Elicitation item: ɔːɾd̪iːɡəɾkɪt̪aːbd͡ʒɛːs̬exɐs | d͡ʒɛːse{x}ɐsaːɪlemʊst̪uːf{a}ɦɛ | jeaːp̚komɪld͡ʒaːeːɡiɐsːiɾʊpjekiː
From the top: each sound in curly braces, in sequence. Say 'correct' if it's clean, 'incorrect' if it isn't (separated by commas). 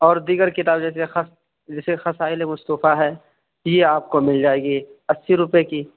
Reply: correct, correct